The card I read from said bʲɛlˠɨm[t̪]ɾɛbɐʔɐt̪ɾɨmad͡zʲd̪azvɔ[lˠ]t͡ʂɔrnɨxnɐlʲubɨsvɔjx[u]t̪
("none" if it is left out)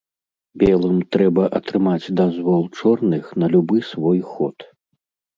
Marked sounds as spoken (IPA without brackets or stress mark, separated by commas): t̪, lˠ, ɔ